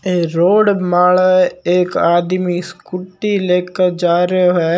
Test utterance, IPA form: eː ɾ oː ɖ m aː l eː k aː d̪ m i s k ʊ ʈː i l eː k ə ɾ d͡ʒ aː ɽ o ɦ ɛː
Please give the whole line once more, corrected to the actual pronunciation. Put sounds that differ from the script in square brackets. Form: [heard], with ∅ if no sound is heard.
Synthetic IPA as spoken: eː ɾ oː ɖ m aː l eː k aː d̪ m i s k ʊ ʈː i l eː k ə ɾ d͡ʒ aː [ɾ] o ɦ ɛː